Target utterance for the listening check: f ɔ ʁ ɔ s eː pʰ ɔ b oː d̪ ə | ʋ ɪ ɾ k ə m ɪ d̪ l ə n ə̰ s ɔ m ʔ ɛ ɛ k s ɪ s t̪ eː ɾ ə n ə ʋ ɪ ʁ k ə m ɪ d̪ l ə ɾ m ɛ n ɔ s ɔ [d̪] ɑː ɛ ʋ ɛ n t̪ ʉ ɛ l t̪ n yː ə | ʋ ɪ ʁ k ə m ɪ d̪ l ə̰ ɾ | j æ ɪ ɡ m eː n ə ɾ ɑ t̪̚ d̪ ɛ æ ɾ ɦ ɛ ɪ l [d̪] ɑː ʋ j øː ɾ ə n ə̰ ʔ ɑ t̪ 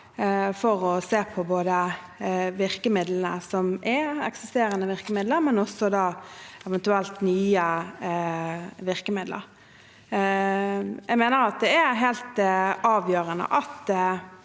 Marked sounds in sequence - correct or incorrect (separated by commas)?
correct, incorrect